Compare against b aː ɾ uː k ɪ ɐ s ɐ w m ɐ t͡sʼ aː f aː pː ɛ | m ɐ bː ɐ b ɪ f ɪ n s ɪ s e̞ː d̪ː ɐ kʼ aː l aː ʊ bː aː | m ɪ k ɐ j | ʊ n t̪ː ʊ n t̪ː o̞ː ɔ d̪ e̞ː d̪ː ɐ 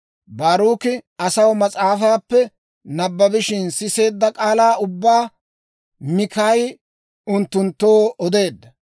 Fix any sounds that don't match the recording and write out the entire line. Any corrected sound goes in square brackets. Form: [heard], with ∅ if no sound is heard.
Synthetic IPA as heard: b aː ɾ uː k ɪ ɐ s ɐ w m ɐ t͡sʼ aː f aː pː ɛ | [n] ɐ bː ɐ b ɪ [ʃ] ɪ n s ɪ s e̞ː d̪ː ɐ kʼ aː l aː ʊ bː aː | m ɪ k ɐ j | ʊ n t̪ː ʊ n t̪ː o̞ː ɔ d̪ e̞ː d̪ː ɐ